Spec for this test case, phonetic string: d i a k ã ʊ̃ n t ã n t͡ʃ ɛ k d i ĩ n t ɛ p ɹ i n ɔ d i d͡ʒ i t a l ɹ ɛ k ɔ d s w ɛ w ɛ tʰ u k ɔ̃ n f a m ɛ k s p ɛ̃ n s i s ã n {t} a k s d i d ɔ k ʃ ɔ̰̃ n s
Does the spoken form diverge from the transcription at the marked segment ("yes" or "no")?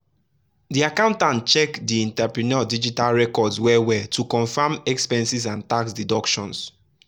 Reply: no